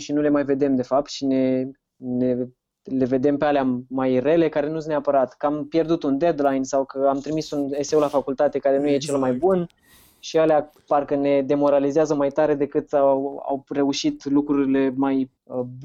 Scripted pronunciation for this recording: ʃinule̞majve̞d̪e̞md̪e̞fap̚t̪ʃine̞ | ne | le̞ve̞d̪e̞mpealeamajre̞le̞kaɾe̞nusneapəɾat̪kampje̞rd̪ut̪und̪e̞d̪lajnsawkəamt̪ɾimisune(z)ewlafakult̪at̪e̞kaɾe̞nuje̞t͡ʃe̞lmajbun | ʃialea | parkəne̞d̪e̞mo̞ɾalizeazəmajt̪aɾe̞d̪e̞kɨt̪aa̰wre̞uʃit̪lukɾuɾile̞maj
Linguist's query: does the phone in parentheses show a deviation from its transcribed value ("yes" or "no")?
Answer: yes